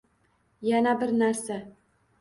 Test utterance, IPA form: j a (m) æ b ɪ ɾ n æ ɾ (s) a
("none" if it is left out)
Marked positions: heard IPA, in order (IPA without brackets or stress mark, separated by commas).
n, s